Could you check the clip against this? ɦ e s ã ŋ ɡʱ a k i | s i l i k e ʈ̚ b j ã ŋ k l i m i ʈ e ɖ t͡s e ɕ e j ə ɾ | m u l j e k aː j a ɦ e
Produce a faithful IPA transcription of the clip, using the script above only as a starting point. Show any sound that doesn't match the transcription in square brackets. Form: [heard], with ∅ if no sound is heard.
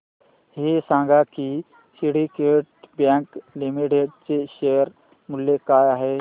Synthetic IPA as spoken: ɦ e s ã ŋ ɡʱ a k i | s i [ɽ] i k e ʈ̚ b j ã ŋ k l i m i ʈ e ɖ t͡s e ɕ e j ə ɾ | m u l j e k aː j a ɦ e